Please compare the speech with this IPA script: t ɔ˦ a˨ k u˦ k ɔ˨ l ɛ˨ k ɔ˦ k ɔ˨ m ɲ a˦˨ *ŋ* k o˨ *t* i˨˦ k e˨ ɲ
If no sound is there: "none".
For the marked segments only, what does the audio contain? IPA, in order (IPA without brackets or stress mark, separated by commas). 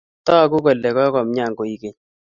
ŋ, none